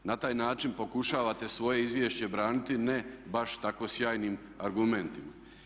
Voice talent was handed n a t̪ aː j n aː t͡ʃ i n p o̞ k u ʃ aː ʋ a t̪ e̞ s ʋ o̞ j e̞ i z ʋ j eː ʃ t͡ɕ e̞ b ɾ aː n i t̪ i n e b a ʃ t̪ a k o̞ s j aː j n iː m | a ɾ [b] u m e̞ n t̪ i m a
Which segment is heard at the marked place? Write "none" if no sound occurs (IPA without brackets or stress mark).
ɡ